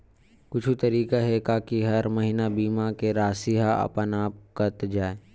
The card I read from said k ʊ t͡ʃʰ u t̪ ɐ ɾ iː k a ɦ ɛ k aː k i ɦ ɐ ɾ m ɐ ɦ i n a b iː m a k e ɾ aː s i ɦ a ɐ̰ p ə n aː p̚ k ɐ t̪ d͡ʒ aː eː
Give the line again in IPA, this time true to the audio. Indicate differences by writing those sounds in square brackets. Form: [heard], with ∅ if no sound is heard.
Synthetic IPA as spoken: k ʊ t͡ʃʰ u t̪ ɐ ɾ iː k a ɦ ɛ k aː k i ɦ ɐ ɾ m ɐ ɦ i n a b iː m a k e ɾ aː s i ɦ a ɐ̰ p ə n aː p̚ k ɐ t̪ d͡ʒ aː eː

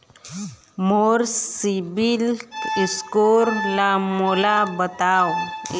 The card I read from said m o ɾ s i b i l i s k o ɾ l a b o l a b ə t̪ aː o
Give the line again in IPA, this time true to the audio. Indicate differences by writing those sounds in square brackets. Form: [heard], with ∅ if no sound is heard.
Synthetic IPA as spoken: m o ɾ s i b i l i s k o ɾ l a [m] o l a b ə t̪ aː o

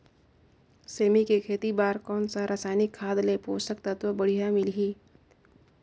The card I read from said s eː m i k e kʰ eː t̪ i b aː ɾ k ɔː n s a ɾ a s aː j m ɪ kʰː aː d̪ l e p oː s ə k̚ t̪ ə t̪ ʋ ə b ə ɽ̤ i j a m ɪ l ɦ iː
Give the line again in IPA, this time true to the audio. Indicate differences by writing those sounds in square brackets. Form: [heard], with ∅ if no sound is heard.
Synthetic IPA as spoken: s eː m i k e kʰ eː t̪ i b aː ɾ k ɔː n s a ɾ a s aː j [n] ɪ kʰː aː d̪ l e p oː s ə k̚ t̪ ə t̪ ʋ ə b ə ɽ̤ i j a m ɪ l ɦ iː

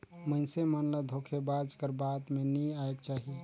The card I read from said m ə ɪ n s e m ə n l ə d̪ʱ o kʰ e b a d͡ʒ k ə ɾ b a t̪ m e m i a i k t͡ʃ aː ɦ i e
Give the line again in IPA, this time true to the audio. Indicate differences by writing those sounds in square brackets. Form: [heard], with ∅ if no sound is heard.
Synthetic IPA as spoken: m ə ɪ n s e m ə n l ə d̪ʱ o kʰ e b a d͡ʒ k ə ɾ b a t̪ m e [n] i a [e] k t͡ʃ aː ɦ i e

